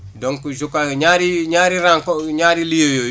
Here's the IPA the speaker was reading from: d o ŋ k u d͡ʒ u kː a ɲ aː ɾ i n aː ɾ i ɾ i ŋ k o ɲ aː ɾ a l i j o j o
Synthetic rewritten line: d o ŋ k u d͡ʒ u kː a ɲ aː ɾ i ɲ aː ɾ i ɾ a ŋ k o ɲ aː ɾ i l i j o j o

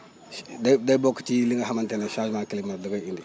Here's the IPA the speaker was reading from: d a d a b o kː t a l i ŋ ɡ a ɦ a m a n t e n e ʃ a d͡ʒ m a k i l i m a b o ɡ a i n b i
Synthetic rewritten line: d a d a b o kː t i l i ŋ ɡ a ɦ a m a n t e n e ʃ a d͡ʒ m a k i l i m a d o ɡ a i n d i

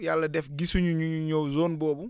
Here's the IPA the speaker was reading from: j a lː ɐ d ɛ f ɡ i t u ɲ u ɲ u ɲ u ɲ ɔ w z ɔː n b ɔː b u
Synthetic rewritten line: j a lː ɐ d ɛ f ɡ i s u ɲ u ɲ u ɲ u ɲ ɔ w z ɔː n b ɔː b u

